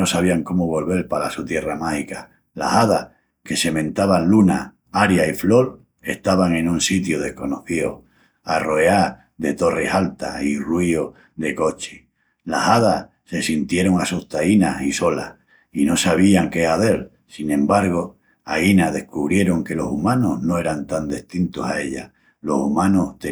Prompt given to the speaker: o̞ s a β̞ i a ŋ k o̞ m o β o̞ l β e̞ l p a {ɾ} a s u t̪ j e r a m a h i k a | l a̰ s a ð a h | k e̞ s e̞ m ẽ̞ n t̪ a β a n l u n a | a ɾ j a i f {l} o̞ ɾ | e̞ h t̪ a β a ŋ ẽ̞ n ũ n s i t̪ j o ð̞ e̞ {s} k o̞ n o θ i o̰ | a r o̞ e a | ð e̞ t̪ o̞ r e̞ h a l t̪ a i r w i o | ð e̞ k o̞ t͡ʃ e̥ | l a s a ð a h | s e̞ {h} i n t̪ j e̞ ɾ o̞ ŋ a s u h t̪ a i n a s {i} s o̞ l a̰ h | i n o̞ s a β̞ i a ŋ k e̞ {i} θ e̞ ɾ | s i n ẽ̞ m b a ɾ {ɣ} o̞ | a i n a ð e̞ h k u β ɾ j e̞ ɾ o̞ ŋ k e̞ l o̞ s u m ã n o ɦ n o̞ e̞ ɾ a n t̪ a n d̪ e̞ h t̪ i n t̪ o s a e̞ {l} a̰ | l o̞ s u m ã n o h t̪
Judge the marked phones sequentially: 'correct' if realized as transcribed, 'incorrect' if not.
incorrect: l, correct, incorrect: h, incorrect: s, correct, incorrect: a, correct, incorrect: ʎ

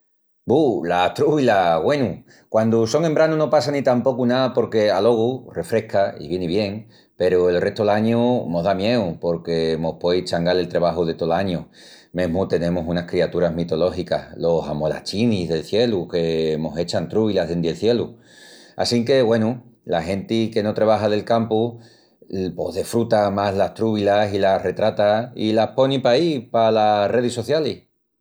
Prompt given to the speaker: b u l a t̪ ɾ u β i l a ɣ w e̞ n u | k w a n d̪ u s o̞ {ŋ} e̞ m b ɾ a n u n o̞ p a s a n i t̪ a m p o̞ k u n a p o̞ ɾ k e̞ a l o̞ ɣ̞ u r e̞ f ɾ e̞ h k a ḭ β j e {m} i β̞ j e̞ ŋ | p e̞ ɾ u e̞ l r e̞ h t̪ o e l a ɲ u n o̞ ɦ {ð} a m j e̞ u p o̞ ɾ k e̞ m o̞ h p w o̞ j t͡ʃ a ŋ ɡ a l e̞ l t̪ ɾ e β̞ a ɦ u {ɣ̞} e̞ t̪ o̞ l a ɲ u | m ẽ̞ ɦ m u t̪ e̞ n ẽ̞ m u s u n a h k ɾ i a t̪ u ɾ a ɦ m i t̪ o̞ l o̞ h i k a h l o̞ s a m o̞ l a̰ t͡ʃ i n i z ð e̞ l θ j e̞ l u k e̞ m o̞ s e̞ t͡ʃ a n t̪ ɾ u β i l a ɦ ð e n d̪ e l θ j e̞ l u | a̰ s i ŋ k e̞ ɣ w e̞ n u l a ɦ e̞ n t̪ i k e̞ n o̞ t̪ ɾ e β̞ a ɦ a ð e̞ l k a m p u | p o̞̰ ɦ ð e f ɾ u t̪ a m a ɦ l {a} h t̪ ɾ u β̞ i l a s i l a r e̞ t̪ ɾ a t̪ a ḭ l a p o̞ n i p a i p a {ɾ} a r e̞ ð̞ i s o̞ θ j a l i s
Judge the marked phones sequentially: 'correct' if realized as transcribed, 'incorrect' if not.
correct, incorrect: n, correct, incorrect: ð̞, correct, incorrect: l

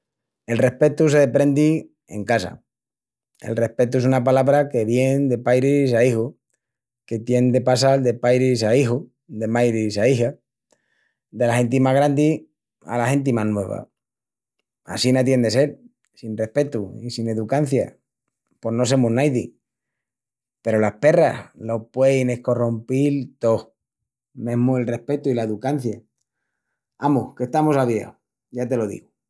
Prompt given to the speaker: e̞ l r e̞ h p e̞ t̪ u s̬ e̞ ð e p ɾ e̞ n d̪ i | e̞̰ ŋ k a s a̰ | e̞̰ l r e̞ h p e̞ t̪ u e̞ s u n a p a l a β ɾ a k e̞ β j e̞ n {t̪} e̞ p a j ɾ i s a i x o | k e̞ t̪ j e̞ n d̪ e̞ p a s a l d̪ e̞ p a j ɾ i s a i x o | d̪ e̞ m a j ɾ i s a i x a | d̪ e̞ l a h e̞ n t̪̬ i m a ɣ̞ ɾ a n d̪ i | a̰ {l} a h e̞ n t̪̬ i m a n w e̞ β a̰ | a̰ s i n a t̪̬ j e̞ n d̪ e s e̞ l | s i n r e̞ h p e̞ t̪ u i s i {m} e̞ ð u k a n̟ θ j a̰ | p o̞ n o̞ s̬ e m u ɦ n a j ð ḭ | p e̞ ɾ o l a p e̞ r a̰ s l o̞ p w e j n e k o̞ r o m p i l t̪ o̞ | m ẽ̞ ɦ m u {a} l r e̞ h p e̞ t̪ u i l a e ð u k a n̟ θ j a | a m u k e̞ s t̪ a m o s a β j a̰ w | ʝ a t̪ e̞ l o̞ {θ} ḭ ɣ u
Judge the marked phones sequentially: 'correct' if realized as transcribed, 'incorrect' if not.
incorrect: d̪, correct, incorrect: n, incorrect: e, incorrect: ð

